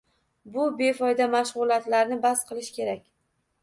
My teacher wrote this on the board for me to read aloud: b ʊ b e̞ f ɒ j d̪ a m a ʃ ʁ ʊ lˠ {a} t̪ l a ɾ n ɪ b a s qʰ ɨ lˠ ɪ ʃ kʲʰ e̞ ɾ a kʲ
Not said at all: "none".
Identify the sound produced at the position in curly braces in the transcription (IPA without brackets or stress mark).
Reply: a